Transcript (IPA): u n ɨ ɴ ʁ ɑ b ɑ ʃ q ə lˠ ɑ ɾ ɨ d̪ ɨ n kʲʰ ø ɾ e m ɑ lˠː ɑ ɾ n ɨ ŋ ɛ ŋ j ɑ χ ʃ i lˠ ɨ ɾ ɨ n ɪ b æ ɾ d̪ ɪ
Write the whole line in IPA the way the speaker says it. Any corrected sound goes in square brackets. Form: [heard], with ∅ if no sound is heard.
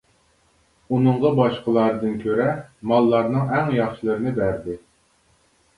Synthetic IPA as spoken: u n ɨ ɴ ʁ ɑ b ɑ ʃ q ə lˠ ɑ ɾ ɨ d̪ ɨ n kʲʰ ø ɾ [ɛ] m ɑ lˠː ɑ ɾ n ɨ ŋ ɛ ŋ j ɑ χ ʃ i lˠ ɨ ɾ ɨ n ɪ b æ ɾ d̪ ɪ